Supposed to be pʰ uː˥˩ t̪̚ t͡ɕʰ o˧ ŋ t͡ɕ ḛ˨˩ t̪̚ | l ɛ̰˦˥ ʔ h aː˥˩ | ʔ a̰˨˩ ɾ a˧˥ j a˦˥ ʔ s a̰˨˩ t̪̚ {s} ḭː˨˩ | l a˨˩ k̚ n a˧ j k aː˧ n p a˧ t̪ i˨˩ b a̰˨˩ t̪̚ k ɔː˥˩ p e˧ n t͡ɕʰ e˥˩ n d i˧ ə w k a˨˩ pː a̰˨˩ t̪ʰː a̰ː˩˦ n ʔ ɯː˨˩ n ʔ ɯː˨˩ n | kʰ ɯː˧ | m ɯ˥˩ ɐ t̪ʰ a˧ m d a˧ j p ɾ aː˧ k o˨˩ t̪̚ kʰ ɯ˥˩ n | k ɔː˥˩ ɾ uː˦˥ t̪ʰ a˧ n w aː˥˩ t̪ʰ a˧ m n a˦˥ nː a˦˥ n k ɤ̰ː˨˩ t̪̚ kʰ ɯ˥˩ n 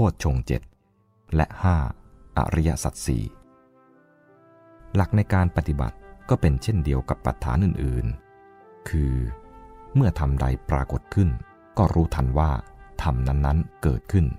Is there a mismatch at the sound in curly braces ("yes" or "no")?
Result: no